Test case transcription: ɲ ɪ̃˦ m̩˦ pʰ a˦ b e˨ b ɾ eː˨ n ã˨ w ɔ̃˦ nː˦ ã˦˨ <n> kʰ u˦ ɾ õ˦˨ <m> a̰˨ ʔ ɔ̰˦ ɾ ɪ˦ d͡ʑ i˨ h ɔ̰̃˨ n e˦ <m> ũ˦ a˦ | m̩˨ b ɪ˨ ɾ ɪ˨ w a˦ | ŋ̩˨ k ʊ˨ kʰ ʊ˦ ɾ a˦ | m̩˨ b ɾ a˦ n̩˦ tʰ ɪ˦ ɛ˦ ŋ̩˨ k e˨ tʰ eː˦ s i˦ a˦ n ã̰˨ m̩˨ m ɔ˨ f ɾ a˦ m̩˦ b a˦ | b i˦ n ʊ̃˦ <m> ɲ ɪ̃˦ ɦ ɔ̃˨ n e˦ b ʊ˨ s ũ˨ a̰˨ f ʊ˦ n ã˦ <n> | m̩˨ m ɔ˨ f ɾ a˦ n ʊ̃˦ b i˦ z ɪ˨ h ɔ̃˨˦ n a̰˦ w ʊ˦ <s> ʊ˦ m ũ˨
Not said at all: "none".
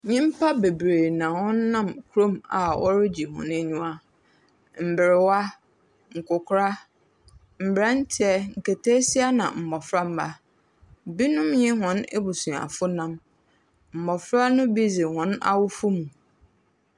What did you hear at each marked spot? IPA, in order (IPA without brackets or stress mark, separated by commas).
m, m, ɲ, m, m, f